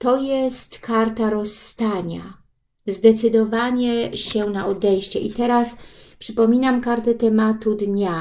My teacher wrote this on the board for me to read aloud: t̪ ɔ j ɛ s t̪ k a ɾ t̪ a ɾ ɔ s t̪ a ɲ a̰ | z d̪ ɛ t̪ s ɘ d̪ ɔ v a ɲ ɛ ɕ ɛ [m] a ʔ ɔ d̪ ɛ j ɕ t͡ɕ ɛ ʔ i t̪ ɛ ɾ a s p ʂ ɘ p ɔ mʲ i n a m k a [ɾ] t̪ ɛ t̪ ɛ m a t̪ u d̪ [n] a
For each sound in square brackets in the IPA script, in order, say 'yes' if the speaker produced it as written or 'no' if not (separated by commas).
no, yes, no